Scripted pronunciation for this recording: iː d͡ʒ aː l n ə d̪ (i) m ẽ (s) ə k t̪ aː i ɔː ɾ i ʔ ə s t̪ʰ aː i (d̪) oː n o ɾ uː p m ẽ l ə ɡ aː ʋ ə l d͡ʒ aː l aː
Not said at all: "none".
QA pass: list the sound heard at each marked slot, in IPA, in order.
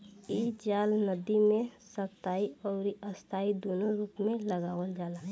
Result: i, s, d̪

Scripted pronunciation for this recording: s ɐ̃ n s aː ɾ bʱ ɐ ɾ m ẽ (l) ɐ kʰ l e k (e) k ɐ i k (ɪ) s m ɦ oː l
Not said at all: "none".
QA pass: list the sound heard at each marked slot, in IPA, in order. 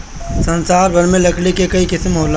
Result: l, e, ɪ

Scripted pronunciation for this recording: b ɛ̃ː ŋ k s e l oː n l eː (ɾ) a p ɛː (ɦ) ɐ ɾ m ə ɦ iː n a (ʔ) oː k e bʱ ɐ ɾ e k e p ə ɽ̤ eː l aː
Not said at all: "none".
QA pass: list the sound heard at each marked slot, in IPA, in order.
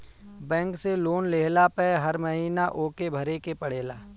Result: l, ɦ, ʔ

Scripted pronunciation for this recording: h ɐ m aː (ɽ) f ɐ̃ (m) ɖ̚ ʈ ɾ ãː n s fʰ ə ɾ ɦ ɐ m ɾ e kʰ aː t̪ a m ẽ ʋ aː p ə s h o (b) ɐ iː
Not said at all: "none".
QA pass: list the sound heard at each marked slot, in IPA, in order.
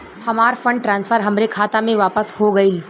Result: ɾ, ɳ, ɡ

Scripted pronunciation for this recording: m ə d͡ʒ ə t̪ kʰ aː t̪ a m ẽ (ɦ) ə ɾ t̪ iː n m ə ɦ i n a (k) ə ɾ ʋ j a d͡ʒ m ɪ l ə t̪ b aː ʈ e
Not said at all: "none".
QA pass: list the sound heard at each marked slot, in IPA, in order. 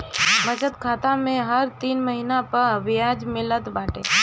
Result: ɦ, p

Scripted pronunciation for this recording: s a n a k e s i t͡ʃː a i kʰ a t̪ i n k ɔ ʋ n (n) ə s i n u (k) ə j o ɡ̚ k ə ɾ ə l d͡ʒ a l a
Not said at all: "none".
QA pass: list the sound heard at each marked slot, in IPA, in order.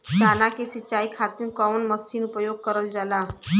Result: m, p

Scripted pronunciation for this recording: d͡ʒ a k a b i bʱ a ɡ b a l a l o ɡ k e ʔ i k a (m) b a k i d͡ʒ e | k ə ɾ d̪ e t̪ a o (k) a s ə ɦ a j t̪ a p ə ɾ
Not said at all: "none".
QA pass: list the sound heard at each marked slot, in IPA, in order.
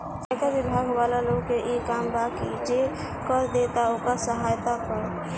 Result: m, k

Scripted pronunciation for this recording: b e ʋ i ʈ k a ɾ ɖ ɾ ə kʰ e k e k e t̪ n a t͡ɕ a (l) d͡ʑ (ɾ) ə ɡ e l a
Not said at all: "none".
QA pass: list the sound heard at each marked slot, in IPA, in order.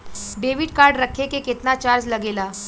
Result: ɾ, l

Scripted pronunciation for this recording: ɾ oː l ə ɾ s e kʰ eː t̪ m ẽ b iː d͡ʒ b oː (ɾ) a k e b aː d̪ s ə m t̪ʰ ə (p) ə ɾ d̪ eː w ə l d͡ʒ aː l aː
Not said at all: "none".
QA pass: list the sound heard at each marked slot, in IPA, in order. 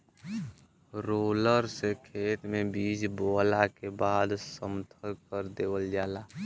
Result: l, k

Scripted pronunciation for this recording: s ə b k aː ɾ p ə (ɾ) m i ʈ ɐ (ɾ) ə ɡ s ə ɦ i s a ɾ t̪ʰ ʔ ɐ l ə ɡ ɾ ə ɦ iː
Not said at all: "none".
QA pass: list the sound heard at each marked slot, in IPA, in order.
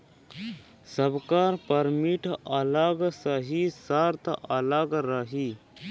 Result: ɾ, l

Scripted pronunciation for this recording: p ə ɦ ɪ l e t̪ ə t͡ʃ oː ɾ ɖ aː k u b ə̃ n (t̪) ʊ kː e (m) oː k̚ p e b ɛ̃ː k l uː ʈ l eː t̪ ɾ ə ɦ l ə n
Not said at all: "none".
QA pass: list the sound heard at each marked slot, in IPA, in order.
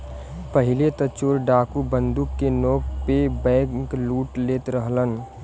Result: d̪, n

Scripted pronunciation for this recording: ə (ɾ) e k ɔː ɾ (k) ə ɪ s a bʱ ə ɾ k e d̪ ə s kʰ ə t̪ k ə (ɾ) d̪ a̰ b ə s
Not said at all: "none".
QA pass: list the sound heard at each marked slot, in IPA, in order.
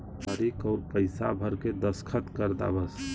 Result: ɾ, p, ɾ

